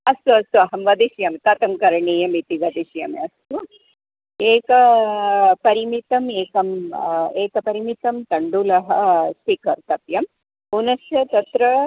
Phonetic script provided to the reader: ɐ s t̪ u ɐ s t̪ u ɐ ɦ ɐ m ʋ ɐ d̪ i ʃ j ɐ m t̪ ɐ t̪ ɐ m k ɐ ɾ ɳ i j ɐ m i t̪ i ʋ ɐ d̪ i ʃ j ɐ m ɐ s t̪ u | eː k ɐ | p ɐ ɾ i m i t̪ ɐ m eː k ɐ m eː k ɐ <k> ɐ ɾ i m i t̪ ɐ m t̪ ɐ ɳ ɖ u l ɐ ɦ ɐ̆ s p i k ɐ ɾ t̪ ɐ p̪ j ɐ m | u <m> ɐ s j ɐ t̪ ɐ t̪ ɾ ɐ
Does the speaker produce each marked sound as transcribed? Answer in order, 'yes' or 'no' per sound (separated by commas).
no, no